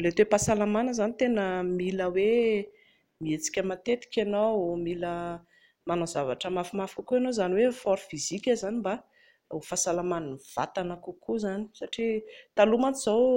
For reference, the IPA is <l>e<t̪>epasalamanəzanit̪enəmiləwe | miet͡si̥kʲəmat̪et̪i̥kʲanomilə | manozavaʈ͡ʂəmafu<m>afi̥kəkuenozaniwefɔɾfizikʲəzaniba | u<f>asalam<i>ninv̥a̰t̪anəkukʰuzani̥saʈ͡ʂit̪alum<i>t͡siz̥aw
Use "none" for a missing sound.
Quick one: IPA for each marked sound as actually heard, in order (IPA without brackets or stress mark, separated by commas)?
l, t̪, m, f, a, a